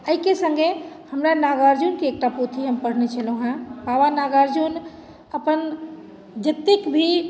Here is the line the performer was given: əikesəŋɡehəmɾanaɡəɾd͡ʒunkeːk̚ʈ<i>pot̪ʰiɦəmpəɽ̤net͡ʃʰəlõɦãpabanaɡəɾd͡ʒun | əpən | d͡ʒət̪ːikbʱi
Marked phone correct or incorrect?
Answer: incorrect